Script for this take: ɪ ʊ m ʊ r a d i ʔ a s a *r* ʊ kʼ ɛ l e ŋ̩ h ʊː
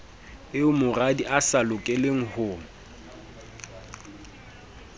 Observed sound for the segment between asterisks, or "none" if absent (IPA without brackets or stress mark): l